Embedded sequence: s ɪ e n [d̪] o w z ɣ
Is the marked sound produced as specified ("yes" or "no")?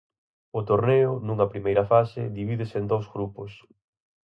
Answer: yes